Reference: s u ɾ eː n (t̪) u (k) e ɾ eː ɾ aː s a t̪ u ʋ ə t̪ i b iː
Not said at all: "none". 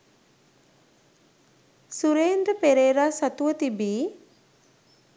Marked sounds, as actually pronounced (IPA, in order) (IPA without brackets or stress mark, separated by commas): d̪, p